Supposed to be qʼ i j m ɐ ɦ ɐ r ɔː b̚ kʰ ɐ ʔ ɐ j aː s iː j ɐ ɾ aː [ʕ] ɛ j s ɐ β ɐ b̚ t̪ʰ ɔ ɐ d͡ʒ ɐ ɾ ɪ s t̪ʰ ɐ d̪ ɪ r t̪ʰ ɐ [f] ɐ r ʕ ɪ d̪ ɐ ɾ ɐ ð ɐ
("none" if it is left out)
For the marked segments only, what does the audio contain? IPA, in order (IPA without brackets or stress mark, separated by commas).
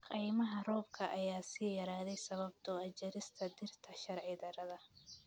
ð, ʃ